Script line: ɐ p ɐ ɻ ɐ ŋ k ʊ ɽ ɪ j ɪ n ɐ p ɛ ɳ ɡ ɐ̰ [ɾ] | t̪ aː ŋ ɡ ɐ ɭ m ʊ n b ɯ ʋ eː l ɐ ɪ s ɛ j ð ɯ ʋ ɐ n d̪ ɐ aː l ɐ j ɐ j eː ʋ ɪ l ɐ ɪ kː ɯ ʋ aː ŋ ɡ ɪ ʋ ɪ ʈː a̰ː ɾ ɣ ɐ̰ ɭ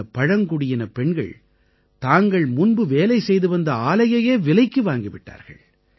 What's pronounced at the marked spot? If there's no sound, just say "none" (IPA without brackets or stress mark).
ɭ